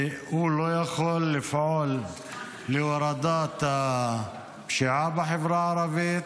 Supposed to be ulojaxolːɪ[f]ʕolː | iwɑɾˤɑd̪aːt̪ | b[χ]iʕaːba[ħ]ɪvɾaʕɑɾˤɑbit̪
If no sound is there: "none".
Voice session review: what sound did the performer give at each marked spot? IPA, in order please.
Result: f, ʃ, ħ

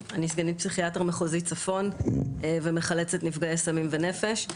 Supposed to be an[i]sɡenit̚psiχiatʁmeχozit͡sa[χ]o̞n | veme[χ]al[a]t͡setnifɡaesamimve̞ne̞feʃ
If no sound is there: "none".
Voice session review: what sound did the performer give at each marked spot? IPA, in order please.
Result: i, f, χ, e

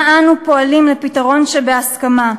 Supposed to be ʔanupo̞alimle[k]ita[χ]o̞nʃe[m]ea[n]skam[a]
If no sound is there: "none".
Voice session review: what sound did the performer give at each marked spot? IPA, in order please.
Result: p, ʁ, b, none, a

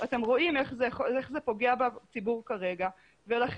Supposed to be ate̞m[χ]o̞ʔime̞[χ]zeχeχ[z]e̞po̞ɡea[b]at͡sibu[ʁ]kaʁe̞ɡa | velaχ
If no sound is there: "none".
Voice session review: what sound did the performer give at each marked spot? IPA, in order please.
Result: ʁ, χ, z, b, ʁ

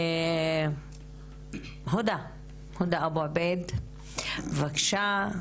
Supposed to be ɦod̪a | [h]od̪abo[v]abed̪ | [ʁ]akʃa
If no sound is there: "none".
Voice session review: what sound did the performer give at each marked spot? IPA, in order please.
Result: h, none, v

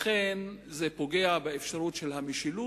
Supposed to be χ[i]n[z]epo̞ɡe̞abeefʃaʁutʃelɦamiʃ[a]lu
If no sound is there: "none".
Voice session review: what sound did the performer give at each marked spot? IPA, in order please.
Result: e, z, i

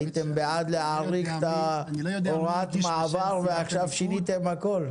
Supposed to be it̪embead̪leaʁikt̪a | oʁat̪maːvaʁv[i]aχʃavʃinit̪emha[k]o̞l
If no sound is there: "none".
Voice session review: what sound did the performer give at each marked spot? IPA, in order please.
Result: e, k

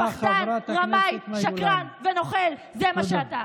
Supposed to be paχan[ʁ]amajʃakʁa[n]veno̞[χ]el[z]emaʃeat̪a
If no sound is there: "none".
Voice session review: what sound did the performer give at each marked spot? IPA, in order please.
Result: ʁ, n, χ, z

